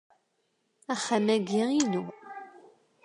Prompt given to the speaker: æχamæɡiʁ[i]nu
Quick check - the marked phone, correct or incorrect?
correct